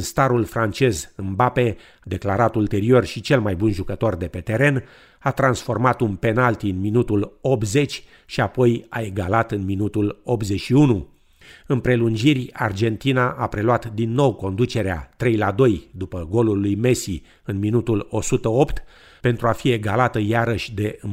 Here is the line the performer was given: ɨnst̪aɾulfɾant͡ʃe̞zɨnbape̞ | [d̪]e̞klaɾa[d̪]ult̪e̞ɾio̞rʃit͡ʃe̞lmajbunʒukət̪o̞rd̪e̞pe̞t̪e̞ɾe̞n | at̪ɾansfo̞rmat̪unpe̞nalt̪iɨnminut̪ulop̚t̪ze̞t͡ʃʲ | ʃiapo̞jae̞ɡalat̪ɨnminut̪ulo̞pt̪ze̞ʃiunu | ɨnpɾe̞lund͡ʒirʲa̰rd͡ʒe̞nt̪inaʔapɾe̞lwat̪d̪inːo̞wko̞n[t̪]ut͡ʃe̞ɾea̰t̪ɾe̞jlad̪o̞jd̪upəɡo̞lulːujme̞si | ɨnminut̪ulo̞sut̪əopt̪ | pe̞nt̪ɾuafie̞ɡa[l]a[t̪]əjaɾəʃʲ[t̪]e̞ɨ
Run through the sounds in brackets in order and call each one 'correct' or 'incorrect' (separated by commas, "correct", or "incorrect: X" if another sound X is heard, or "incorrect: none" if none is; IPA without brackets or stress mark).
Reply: correct, incorrect: t̪, incorrect: d̪, correct, correct, incorrect: d̪